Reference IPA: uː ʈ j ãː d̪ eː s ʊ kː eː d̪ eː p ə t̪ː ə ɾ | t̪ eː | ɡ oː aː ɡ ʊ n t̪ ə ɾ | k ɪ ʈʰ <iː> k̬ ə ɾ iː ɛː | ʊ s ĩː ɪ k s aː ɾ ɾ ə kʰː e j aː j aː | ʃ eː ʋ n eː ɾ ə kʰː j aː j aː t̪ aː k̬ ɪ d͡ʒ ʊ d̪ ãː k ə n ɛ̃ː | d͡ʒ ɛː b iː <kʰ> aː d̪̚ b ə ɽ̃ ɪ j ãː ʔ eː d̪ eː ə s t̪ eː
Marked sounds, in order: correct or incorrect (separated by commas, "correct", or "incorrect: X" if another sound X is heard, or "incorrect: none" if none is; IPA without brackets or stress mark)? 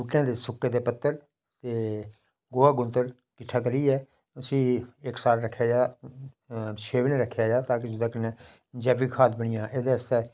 incorrect: aː, correct